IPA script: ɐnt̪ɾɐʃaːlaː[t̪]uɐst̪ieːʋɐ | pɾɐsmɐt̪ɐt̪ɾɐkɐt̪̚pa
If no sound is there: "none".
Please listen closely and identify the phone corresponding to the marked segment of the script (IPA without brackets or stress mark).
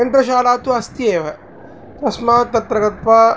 t̪